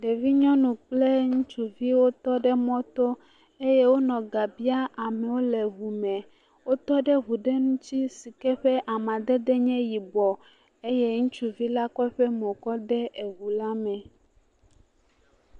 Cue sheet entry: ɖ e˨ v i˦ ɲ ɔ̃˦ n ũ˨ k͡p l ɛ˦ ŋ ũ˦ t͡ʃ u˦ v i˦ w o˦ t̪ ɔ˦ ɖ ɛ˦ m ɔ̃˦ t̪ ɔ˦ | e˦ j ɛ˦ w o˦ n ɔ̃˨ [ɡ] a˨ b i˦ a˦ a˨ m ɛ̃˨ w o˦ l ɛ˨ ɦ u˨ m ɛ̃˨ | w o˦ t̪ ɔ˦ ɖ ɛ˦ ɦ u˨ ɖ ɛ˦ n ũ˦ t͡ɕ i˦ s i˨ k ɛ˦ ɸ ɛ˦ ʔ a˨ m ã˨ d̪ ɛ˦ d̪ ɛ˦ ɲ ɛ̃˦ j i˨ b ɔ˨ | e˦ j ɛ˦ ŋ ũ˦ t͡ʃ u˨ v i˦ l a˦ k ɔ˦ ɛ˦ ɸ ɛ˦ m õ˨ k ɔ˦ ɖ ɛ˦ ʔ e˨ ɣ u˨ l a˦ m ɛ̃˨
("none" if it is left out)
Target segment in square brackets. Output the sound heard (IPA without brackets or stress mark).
ɡ